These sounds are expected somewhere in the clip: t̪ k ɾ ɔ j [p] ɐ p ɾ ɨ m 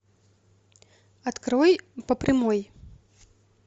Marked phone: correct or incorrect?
correct